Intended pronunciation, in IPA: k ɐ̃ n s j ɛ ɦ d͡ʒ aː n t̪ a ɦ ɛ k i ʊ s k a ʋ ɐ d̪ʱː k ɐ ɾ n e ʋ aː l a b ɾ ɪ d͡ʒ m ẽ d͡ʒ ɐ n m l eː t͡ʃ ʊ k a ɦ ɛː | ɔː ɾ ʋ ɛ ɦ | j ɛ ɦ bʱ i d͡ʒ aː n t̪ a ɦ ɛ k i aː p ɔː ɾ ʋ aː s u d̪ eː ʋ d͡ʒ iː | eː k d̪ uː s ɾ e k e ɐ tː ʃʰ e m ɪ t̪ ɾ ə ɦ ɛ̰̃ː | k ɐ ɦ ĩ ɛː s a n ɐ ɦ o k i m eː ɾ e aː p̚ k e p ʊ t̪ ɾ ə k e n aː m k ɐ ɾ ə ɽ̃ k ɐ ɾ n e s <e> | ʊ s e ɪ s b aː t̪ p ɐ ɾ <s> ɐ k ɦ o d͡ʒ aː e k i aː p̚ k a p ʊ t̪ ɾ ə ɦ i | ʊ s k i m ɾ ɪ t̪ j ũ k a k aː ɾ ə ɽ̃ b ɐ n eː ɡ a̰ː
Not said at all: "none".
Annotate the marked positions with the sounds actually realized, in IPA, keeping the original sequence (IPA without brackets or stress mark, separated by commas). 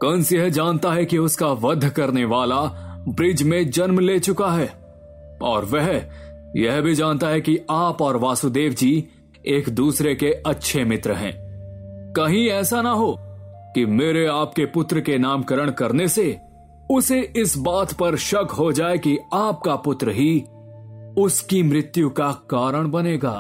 e, ʃ